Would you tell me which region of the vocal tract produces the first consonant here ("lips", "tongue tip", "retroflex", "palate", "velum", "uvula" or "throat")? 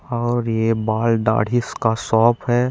tongue tip